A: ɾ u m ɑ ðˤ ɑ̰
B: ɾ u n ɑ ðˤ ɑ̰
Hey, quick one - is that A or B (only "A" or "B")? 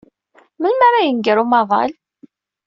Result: A